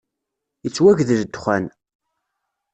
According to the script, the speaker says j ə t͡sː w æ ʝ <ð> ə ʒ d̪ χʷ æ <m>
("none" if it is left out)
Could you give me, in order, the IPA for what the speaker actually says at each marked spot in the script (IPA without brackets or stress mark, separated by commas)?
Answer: ð, n